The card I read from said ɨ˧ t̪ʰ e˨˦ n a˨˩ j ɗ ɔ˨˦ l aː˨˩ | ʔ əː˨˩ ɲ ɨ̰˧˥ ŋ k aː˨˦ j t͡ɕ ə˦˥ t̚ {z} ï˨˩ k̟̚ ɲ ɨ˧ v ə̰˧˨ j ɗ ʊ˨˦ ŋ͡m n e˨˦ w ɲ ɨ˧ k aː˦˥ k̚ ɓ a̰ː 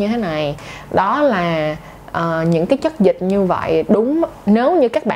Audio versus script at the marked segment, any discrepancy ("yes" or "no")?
no